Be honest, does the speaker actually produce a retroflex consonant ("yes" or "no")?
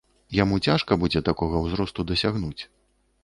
yes